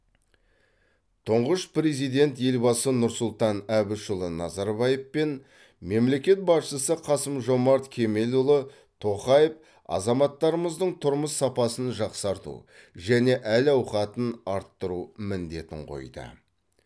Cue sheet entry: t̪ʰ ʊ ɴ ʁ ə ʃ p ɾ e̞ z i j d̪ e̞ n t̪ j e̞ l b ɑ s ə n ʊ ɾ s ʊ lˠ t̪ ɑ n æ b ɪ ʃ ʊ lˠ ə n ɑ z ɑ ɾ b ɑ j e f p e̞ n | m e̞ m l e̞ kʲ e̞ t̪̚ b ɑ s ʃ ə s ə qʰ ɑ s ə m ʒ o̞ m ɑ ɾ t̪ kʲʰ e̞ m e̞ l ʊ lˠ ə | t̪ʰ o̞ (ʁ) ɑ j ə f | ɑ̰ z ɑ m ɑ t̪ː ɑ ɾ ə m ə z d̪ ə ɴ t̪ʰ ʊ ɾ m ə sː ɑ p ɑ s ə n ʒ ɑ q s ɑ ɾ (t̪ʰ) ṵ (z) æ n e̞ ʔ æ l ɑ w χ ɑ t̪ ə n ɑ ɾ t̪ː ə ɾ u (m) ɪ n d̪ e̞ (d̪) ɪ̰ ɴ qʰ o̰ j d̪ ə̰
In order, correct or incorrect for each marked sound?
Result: incorrect: χ, incorrect: t̪, incorrect: ʒ, correct, incorrect: t̪

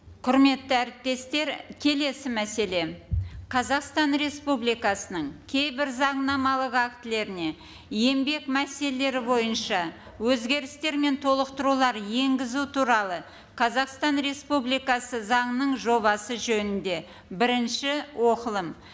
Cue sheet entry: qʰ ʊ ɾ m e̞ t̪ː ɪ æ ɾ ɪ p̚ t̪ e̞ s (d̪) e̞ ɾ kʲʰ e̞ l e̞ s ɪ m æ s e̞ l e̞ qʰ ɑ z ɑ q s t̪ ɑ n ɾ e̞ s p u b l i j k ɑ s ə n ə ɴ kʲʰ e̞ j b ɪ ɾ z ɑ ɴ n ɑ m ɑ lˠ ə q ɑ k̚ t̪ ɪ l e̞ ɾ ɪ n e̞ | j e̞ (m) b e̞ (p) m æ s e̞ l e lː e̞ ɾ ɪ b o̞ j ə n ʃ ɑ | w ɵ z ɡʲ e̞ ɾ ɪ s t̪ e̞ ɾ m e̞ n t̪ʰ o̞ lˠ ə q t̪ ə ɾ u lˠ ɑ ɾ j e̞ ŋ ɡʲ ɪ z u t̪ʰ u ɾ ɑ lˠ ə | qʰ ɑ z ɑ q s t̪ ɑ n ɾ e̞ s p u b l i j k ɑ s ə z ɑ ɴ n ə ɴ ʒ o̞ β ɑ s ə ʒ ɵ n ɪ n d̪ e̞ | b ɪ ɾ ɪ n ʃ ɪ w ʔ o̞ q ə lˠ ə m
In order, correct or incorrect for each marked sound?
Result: incorrect: t̪, correct, incorrect: k

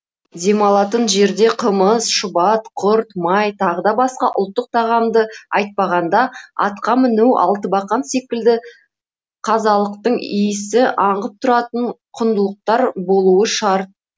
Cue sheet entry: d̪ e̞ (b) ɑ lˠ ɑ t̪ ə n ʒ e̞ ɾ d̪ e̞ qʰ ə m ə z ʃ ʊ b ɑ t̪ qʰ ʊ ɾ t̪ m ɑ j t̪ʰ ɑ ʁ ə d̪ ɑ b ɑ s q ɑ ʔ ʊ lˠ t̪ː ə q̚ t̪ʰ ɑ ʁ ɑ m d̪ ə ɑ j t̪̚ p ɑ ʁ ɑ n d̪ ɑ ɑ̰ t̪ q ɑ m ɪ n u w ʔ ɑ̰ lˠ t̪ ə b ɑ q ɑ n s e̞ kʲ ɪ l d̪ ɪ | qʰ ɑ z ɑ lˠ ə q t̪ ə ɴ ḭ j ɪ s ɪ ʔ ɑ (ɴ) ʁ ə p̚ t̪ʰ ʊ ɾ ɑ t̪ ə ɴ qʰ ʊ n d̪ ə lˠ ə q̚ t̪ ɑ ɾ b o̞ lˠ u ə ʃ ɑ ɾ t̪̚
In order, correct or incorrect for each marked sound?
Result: incorrect: m, correct

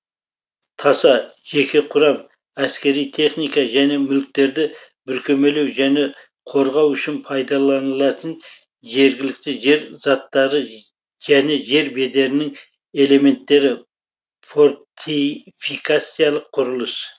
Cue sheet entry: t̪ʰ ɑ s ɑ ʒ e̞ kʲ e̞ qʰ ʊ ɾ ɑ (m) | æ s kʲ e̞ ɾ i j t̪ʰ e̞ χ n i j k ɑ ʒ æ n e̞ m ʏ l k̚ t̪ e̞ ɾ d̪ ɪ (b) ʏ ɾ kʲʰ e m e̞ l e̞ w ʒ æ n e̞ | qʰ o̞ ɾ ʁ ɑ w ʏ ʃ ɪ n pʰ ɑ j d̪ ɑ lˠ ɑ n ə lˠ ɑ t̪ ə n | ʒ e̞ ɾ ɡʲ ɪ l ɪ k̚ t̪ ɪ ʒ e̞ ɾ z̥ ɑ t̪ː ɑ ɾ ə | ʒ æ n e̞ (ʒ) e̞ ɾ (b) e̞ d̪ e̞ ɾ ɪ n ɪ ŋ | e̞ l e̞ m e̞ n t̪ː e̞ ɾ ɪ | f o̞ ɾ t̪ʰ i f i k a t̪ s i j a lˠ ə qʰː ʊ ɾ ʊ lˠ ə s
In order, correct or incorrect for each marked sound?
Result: correct, correct, correct, correct

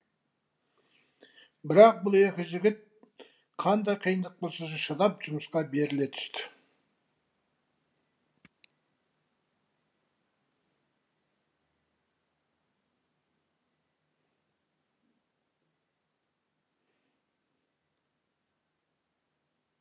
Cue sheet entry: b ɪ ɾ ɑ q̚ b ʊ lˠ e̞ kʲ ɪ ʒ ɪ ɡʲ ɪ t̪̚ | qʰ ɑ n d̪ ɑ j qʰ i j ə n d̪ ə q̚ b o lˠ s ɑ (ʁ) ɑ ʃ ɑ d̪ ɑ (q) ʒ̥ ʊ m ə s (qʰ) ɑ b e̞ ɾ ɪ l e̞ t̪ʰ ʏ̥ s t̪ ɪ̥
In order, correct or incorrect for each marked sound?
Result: incorrect: ʒ, incorrect: p, incorrect: q

